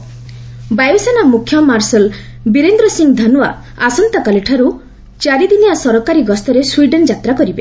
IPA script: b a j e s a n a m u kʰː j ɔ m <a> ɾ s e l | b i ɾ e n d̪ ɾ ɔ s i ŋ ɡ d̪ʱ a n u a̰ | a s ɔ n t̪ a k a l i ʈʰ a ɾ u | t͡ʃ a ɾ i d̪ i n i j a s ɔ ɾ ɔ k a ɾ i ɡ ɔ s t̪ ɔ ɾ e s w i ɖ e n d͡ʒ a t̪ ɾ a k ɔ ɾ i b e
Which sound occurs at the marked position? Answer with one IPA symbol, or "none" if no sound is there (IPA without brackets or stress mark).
a